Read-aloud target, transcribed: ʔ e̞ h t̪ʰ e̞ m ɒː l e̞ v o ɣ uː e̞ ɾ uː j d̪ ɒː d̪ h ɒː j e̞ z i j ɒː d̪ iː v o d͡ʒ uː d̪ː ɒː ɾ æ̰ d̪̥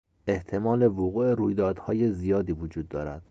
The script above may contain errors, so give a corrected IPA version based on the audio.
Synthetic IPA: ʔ e̞ h t̪ʰ e̞ m ɒː l e̞ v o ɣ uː e̞ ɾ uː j d̪ ɒː d̪ h ɒː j e̞ z i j ɒː d̪ iː v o d͡ʒ uː d̪ː ɒː ɾ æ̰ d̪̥